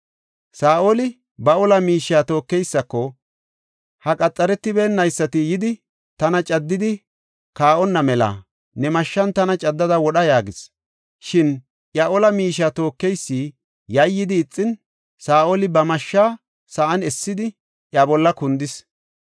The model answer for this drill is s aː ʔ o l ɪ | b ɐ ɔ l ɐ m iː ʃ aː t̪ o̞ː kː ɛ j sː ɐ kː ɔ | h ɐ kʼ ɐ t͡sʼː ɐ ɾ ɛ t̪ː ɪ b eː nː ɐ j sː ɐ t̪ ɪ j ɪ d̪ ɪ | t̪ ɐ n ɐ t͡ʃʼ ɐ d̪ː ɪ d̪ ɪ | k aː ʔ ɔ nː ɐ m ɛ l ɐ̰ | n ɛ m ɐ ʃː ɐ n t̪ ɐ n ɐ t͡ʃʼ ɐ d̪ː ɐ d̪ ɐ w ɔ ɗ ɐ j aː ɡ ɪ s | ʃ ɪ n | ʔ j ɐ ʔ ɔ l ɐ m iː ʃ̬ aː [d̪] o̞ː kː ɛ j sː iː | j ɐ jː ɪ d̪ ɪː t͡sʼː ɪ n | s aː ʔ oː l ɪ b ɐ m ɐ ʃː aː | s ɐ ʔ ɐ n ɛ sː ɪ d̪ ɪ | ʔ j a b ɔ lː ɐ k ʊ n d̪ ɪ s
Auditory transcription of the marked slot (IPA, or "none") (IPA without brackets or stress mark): t̪